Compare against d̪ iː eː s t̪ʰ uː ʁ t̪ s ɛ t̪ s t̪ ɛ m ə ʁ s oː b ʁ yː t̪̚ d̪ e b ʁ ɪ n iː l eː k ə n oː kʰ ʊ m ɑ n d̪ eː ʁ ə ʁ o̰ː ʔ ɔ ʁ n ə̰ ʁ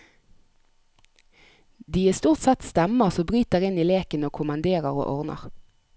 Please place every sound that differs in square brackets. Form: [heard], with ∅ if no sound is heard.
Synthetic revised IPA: d̪ iː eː s [t̪] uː ʁ t̪ s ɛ t̪ s t̪ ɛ m ə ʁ s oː b ʁ yː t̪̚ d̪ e [∅] ʁ ɪ n iː l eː k ə n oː kʰ ʊ m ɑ n d̪ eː ʁ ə ʁ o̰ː ʔ ɔ ʁ n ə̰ ʁ

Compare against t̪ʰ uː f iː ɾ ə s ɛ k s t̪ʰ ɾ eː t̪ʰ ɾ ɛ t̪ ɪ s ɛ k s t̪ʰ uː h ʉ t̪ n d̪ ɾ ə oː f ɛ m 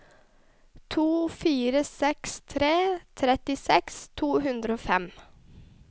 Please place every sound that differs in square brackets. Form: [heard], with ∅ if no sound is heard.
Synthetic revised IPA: t̪ʰ uː f iː ɾ ə s ɛ k s t̪ʰ ɾ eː t̪ʰ ɾ ɛ t̪ ɪ s ɛ k s t̪ʰ uː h ʉ [∅] n d̪ ɾ ə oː f ɛ m

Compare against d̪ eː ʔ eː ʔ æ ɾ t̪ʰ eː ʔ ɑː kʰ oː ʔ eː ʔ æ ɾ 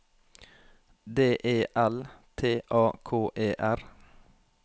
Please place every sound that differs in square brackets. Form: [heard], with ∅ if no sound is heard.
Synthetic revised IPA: d̪ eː ʔ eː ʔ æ [l] t̪ʰ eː ʔ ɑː kʰ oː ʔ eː ʔ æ ɾ

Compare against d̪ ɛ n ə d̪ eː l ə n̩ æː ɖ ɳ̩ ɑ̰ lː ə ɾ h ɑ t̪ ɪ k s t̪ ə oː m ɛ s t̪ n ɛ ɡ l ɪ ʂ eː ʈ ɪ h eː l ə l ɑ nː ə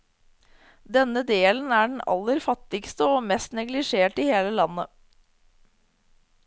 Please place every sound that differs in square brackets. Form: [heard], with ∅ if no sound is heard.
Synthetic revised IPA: d̪ ɛ n ə d̪ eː l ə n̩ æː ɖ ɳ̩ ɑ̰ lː ə ɾ [f] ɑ t̪ ɪ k s t̪ ə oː m ɛ s t̪ n ɛ ɡ l ɪ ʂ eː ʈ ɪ h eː l ə l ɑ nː ə

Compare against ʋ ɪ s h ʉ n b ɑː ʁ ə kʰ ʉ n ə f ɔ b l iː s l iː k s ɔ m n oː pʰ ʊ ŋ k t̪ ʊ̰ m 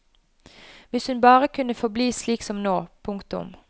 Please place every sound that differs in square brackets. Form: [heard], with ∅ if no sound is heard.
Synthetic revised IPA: ʋ ɪ s h ʉ n b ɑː ʁ ə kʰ ʉ n ə f ɔ b l iː s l iː k s ɔ m n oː pʰ ʊ ŋ k t̪ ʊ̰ m

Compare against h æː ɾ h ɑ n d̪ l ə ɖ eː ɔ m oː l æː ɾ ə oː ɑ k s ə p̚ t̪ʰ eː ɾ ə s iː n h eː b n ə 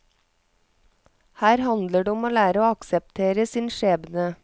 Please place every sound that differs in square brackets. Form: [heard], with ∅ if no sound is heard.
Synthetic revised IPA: h æː ɾ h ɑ n d̪ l ə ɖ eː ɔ m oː l æː ɾ ə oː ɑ k s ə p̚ t̪ʰ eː ɾ ə s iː n [ʃ] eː b n ə

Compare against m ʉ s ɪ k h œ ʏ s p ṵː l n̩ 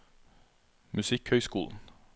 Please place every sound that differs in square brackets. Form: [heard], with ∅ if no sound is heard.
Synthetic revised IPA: m ʉ s ɪ k h œ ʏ s [k] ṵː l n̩

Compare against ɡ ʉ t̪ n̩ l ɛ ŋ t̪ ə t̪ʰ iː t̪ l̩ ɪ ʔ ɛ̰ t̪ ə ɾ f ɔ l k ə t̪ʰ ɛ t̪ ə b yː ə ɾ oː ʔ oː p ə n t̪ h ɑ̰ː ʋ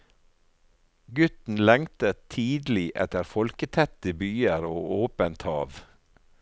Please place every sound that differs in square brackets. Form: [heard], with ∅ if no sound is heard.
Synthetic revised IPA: ɡ ʉ t̪ n̩ l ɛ ŋ t̪ ə t̪ʰ iː [d̪] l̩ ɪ ʔ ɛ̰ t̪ ə ɾ f ɔ l k ə t̪ʰ ɛ t̪ ə b yː ə ɾ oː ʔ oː p ə n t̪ h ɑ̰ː ʋ

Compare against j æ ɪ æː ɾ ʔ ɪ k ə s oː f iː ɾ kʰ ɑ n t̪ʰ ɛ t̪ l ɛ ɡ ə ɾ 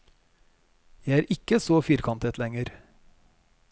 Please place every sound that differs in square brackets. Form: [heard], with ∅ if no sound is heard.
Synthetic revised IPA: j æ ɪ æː ɾ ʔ ɪ k ə s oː f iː ɾ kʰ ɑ n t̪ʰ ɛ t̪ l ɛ [ŋ] ə ɾ

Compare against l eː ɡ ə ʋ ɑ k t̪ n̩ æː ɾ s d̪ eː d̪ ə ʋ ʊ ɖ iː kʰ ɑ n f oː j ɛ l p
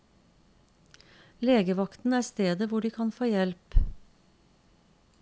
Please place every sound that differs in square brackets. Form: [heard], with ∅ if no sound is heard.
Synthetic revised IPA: l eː ɡ ə ʋ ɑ k t̪ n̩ æː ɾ s [t̪] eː d̪ ə ʋ ʊ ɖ iː kʰ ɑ n f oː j ɛ l p

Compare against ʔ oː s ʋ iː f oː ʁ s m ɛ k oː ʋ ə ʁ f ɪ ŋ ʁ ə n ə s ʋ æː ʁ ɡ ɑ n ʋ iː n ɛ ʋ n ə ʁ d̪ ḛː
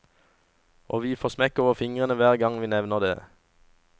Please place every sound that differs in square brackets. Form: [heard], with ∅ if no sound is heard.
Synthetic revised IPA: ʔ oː [∅] ʋ iː f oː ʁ s m ɛ k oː ʋ ə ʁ f ɪ ŋ ʁ ə n ə [∅] ʋ æː ʁ ɡ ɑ [ŋ] ʋ iː n ɛ ʋ n ə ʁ d̪ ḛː

